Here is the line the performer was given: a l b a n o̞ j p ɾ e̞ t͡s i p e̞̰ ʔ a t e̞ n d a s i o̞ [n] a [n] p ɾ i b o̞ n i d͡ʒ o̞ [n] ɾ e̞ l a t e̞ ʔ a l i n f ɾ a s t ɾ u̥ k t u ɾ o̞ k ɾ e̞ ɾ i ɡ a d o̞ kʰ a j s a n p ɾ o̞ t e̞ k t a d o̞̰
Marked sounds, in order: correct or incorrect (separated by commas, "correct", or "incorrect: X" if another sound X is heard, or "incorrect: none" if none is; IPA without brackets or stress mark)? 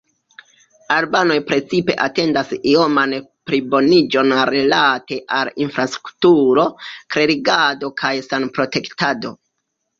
incorrect: m, correct, correct